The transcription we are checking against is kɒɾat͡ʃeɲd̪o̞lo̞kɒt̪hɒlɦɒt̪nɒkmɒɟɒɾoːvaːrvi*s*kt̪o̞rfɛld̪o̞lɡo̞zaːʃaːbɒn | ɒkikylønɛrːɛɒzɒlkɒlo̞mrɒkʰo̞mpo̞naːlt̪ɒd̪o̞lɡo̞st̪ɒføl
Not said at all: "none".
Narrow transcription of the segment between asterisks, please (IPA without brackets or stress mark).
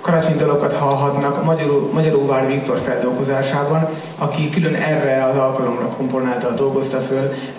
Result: none